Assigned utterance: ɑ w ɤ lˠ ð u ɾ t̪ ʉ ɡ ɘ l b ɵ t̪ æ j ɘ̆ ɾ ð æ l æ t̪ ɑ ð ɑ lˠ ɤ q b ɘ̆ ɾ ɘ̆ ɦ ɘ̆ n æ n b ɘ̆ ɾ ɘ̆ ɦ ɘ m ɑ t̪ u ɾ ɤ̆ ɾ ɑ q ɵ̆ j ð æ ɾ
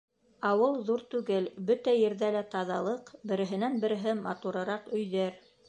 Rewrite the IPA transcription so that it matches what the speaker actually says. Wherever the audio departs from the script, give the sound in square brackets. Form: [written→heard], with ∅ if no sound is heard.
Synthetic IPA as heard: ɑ w ɤ lˠ ð u ɾ t̪ ʉ ɡ ɘ l b ɵ t̪ æ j ɘ̆ ɾ ð æ l æ t̪ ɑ ð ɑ lˠ ɤ q b ɘ̆ ɾ ɘ̆ ɦ ɘ̆ n æ n b ɘ̆ ɾ ɘ̆ ɦ ɘ m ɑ t̪ u ɾ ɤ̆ ɾ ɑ q ɵ̆ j ð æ ɾ